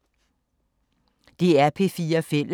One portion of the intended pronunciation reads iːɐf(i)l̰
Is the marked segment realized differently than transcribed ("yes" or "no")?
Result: yes